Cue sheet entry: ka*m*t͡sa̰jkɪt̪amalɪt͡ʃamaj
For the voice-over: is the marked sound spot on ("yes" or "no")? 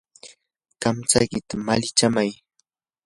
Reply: yes